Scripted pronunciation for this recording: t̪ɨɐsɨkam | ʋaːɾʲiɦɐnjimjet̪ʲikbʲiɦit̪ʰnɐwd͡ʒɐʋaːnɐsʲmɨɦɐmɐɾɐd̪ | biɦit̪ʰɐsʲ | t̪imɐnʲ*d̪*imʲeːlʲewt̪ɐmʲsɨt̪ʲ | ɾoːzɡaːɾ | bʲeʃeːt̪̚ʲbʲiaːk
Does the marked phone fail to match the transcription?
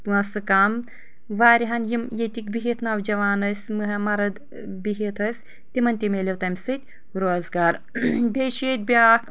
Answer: yes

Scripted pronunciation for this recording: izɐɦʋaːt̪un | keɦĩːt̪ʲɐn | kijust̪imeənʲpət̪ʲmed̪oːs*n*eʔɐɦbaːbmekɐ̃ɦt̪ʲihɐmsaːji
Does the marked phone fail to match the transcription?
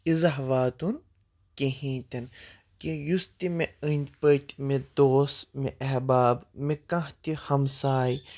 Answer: yes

